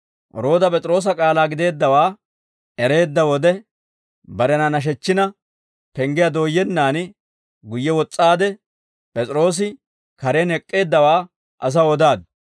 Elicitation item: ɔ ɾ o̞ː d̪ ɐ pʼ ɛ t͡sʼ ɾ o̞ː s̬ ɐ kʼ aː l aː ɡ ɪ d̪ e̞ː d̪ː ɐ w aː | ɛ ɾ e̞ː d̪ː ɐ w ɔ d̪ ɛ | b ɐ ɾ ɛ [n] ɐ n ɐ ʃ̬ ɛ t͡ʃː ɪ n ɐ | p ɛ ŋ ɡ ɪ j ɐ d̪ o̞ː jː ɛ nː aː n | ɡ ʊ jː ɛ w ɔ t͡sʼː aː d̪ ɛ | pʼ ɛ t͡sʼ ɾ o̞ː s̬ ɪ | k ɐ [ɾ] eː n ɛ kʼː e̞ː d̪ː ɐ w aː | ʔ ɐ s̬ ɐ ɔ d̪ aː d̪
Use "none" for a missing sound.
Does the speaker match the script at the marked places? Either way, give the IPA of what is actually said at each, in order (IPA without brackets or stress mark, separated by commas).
n, ɾ